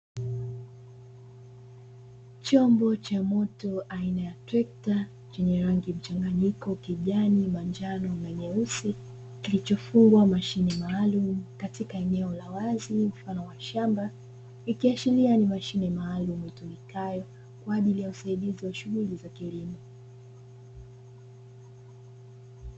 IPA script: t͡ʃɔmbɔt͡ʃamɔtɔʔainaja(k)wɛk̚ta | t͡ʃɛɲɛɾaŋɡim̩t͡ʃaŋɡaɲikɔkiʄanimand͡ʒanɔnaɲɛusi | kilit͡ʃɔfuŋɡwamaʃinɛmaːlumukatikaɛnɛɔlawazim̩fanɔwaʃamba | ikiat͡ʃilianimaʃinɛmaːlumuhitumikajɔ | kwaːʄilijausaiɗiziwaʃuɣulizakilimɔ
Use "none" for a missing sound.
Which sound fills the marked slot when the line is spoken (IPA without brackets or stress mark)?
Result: t